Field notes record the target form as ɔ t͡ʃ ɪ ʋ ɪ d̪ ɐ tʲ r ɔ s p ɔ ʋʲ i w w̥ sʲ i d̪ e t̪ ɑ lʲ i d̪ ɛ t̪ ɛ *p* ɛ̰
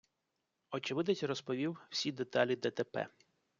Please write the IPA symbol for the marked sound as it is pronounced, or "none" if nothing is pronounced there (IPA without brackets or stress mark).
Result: p